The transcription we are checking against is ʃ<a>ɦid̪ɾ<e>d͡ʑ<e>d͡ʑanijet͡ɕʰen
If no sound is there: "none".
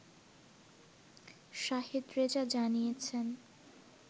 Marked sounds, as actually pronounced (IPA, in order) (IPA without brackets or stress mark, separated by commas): a, e, a